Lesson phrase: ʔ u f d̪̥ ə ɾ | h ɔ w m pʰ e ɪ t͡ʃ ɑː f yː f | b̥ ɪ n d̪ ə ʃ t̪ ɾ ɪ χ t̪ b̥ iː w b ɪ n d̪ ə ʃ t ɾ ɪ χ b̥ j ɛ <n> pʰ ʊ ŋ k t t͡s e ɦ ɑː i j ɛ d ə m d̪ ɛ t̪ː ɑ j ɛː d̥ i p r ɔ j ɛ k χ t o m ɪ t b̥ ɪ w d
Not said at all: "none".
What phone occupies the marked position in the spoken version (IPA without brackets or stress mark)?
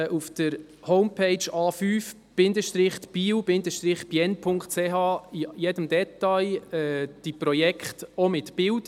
n